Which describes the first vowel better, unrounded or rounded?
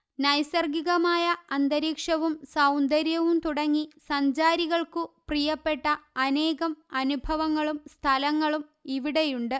unrounded